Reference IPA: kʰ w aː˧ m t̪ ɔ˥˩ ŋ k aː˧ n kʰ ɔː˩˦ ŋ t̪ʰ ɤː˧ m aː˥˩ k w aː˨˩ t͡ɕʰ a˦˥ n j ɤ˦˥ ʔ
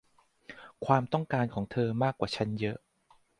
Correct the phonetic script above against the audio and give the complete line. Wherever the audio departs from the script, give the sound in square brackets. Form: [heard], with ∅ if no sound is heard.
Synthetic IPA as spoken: kʰ w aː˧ m t̪ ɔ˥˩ ŋ k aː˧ n kʰ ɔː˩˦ ŋ t̪ʰ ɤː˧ m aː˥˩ k w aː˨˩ t͡ɕʰ a˦˥ n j ɤ˦˥ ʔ

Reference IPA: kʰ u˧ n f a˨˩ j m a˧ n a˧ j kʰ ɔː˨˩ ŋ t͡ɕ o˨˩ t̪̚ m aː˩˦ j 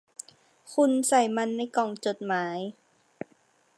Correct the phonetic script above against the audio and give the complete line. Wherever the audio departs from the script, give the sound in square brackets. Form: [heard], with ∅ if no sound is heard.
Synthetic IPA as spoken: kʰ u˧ n [s] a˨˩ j m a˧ [nː] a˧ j [k] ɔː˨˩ ŋ t͡ɕ o˨˩ t̪̚ m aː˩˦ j

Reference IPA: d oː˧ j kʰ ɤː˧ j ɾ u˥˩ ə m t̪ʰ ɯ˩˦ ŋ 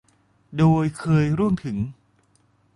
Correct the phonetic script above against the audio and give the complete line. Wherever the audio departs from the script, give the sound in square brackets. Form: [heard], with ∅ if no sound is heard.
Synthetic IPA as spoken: d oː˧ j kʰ ɤː˧ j ɾ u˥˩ ə m t̪ʰ ɯ˩˦ ŋ

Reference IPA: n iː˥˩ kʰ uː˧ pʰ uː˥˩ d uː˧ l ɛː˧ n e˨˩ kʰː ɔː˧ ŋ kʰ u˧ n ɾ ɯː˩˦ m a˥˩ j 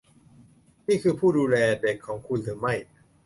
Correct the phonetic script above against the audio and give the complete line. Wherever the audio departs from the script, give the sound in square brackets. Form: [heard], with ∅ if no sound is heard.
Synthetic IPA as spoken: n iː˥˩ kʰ [ɯː˧] pʰ uː˥˩ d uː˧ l ɛː˧ [d] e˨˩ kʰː [ɔː˩˦] ŋ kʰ u˧ n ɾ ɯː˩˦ m a˥˩ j

